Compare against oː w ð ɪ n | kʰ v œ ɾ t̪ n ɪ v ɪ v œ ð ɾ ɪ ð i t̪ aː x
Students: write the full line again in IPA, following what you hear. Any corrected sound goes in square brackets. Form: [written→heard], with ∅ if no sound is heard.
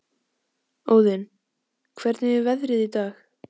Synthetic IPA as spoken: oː w ð ɪ n | kʰ v [œ→ɛ] ɾ t̪ n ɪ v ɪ v [œ→ɛ] ð ɾ ɪ ð i t̪ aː x